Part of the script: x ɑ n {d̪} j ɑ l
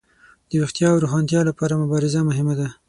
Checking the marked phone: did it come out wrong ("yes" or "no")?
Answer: yes